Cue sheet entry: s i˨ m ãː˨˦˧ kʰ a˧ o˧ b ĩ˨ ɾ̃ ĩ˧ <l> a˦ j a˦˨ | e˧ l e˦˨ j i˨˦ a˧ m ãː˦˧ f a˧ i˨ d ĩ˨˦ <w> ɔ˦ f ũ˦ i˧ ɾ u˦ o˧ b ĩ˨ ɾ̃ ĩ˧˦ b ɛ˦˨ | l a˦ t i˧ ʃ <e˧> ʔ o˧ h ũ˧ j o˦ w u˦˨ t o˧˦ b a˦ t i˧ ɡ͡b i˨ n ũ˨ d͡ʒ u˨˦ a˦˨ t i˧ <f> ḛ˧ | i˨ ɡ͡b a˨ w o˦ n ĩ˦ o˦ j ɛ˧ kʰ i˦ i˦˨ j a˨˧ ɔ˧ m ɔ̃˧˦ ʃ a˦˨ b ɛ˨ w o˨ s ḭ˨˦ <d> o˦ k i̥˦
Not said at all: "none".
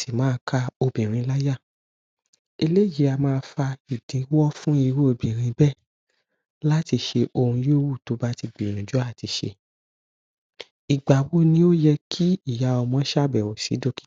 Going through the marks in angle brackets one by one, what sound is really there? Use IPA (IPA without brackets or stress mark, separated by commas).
l, w, e˧, ʃ, d